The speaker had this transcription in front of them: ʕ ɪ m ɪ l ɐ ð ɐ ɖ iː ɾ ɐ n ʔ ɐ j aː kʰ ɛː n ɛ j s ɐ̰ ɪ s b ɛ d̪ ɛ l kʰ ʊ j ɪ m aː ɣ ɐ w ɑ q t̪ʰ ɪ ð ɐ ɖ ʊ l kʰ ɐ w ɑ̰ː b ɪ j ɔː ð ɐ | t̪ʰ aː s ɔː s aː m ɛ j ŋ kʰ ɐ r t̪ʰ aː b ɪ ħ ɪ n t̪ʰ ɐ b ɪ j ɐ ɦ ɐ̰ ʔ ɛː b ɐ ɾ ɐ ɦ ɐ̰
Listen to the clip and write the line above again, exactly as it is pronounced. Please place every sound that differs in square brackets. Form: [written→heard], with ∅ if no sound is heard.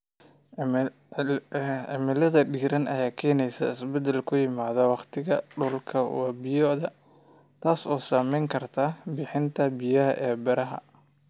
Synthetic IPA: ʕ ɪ m ɪ l ɐ ð ɐ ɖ iː ɾ ɐ n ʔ ɐ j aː kʰ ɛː n ɛ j s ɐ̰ ɪ s b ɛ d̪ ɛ l kʰ ʊ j ɪ m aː [ɣ→ð] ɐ w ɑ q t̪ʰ ɪ [ð→ɣ] ɐ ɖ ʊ l kʰ ɐ w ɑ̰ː b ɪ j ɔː ð ɐ | t̪ʰ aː s ɔː s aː m ɛ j ŋ kʰ ɐ r t̪ʰ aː b ɪ ħ ɪ n t̪ʰ ɐ b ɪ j ɐ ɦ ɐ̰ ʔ ɛː b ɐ ɾ ɐ ɦ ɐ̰